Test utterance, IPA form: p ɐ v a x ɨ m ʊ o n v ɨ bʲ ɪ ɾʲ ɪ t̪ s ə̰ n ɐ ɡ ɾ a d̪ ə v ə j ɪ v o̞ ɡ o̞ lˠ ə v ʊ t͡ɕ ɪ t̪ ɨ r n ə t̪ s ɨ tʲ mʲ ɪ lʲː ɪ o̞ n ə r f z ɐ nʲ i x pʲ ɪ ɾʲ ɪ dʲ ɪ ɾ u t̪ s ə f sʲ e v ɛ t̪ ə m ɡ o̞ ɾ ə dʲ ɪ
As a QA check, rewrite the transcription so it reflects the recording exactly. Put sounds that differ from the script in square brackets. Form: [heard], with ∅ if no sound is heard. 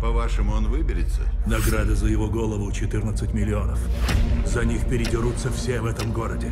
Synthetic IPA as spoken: p ɐ v a [ʂ] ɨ m ʊ o n v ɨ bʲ ɪ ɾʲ ɪ t̪ s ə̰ n ɐ ɡ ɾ a d̪ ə [z] ə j ɪ v o̞ ɡ o̞ lˠ ə v ʊ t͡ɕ ɪ t̪ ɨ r n ə t̪ s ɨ tʲ mʲ ɪ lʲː ɪ o̞ n ə [∅] f z ɐ nʲ i x pʲ ɪ ɾʲ ɪ dʲ ɪ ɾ u t̪ s ə f sʲ e v ɛ t̪ ə m ɡ o̞ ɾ ə dʲ ɪ